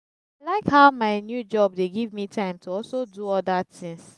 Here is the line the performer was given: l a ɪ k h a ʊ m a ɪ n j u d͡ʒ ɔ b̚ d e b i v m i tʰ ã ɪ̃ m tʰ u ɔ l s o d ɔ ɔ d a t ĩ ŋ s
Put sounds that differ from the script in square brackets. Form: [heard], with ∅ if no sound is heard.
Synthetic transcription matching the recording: l a ɪ k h a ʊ m a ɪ n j u d͡ʒ ɔ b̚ d e [ɡ] i v m i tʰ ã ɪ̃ m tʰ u ɔ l s o d [u] ɔ d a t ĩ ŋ s